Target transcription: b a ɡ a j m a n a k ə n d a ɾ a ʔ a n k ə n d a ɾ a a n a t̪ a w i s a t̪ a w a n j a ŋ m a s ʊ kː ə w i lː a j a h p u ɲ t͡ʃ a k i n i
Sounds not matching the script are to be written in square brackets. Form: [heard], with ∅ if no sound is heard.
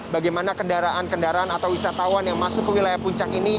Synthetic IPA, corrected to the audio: b a ɡ a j m a n a k ə n d a ɾ a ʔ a n k ə n d a ɾ a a n a t̪ a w i s a t̪ a w a n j a ŋ m a s ʊ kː ə w i [l] a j a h p u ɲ t͡ʃ a k i n i